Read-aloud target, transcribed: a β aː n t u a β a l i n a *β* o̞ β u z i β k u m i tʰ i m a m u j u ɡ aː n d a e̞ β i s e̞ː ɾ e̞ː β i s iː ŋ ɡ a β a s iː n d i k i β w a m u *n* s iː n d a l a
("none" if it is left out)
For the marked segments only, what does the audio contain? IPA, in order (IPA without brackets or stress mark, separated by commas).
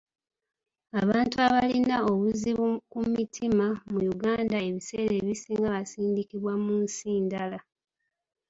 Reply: none, n